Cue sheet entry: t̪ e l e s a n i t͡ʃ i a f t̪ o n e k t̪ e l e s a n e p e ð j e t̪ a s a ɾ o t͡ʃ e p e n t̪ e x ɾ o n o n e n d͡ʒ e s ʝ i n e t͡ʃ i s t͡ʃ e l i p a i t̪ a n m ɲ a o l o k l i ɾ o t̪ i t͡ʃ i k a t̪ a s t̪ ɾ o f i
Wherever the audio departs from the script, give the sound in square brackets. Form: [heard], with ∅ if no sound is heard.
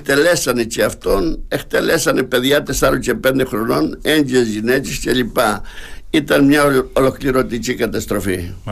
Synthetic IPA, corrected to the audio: t̪ e l e s a n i t͡ʃ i a f t̪ o n e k t̪ e l e s a n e p e ð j [a] t̪ [e] s a ɾ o t͡ʃ e p e n [d̪] e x ɾ o n o n e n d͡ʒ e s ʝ i n e t͡ʃ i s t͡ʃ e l i p a i t̪ a n m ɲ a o l o k l i ɾ o t̪ i t͡ʃ i k a t̪ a s t̪ ɾ o f i